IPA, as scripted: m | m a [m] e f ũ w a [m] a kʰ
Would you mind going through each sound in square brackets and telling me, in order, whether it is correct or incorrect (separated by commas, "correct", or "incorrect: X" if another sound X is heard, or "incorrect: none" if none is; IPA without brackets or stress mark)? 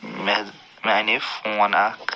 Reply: incorrect: n, incorrect: n